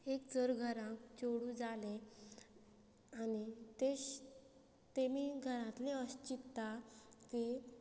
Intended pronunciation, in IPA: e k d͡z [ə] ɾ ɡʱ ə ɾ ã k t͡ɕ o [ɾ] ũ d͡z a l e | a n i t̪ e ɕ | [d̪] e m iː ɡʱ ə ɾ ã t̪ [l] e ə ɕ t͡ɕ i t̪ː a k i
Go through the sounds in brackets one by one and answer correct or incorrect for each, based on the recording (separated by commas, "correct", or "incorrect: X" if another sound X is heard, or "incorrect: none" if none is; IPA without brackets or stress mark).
correct, incorrect: ɽ, incorrect: t̪, correct